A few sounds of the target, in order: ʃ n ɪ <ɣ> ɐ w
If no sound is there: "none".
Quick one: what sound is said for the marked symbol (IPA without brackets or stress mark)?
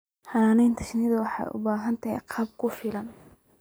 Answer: ð